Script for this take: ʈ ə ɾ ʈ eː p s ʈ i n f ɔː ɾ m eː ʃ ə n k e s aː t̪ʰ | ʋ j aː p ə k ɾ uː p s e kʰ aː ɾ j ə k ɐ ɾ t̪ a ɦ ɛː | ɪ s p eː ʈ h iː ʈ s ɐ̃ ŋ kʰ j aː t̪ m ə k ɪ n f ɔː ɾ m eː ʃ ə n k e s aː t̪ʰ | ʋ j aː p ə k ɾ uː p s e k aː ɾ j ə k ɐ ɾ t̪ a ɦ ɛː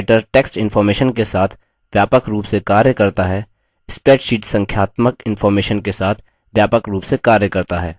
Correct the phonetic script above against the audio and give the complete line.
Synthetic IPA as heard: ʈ ə ɾ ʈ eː k s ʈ ɪ n f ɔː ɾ m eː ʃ ə n k e s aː t̪ʰ | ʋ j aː p ə k ɾ uː p s e k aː ɾ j ə k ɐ ɾ t̪ a ɦ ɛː | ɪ s p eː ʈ ʃ iː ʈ s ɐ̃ ŋ kʰ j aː t̪ m ə k ɪ n f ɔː ɾ m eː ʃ ə n k e s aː t̪ʰ | ʋ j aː p ə k ɾ uː p s e k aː ɾ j ə k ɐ ɾ t̪ a ɦ ɛː